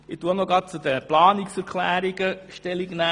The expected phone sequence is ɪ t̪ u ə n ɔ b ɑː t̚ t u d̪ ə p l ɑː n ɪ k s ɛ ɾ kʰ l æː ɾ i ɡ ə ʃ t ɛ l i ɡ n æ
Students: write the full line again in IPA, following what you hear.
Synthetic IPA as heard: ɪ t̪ u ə n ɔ ɡ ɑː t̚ t͡s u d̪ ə p l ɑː n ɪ k s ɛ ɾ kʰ l æː ɾ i ɡ ə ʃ t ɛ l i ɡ n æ